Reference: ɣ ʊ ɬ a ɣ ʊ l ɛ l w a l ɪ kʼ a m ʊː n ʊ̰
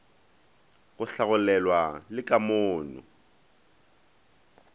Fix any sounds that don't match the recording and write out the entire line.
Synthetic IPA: ɣ ʊ ɬ a ɣ ʊ l ɛ l w a l ɪ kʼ a m ʊː n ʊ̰